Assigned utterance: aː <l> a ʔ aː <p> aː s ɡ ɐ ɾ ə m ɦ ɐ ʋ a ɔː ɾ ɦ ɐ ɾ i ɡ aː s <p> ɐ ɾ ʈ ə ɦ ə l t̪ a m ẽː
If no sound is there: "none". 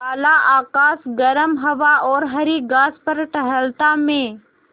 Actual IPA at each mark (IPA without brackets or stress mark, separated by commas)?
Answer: l, k, p